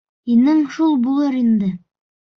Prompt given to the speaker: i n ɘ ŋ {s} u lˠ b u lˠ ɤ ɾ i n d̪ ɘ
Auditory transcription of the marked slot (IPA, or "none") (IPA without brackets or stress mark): ʃ